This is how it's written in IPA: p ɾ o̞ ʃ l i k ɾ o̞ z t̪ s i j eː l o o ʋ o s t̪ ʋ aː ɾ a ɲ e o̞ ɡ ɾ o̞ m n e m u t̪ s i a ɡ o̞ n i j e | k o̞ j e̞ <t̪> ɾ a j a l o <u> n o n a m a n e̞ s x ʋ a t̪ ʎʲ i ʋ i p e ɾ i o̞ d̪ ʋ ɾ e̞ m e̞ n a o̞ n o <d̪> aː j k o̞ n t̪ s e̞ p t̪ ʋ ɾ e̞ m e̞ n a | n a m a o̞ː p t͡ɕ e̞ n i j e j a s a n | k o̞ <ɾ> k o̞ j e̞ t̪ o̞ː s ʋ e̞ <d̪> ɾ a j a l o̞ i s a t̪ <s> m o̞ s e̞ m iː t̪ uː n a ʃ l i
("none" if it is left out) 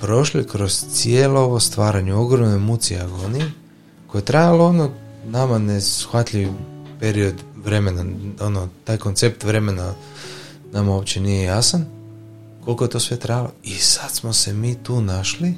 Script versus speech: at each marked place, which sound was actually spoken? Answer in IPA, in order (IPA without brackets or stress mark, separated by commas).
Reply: t̪, o, t̪, l, t̪, s